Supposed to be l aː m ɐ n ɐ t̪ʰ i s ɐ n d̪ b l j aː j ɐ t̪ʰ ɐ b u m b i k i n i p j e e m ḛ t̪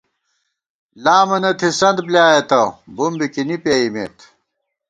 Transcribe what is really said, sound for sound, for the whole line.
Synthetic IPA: l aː m ɐ n ɐ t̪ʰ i s ɐ n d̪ b l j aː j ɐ t̪ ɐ b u m b i k i n i p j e i m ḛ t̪